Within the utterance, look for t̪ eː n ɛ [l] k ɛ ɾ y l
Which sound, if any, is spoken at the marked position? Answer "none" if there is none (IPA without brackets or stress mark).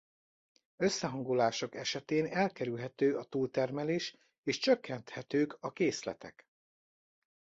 l